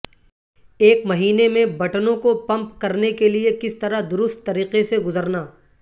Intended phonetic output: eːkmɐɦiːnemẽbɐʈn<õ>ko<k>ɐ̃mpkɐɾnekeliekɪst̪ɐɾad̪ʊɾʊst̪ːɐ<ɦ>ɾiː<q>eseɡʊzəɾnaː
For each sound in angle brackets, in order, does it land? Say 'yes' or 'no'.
yes, no, no, yes

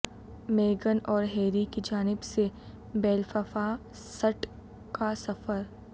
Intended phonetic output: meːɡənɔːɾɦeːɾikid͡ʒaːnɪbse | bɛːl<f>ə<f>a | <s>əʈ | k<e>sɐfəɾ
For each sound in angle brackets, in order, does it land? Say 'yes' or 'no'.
yes, yes, yes, no

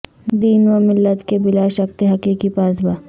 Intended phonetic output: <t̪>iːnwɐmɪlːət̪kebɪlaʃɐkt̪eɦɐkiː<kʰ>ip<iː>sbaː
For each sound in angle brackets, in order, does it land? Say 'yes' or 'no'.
no, no, no

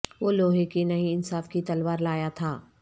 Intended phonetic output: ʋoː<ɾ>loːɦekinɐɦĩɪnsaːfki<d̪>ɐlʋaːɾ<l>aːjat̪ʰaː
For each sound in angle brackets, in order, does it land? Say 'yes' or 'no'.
no, no, yes

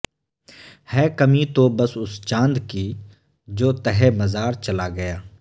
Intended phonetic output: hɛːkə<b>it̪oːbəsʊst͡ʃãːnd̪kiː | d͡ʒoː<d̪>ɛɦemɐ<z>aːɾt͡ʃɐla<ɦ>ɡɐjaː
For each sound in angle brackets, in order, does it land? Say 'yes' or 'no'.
no, no, yes, no

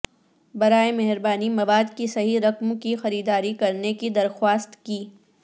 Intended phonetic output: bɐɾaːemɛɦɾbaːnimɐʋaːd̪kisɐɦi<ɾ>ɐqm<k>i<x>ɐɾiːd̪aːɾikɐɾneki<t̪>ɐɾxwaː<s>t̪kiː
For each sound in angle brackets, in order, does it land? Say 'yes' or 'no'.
yes, yes, yes, no, yes

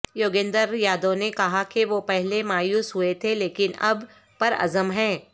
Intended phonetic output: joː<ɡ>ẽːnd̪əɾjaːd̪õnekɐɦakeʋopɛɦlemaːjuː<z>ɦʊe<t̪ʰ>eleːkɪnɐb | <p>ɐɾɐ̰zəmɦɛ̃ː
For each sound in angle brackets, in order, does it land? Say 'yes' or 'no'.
yes, no, yes, yes

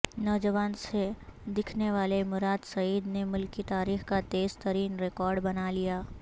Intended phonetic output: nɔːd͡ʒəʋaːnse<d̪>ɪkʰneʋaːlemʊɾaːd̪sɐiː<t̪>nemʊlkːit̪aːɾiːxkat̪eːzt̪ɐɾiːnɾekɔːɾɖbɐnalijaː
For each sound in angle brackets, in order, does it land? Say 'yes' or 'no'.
yes, no

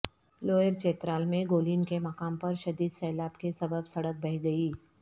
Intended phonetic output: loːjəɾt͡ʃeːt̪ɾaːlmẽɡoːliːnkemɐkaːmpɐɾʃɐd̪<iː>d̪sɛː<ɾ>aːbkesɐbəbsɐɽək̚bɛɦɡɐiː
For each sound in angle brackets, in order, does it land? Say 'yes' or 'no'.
yes, no

